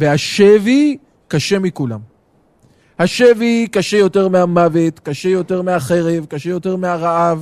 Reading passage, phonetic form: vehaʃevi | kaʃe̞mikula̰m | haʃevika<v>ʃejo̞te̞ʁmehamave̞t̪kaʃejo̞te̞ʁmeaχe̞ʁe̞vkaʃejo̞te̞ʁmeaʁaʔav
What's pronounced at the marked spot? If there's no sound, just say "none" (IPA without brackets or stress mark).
none